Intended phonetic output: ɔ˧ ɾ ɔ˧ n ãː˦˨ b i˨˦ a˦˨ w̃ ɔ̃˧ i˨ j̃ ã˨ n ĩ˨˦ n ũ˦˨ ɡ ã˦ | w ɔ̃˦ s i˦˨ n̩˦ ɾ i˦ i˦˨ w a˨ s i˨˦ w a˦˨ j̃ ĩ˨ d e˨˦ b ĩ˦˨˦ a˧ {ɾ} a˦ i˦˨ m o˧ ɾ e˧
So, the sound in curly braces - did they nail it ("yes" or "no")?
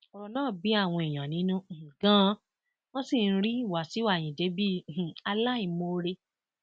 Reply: no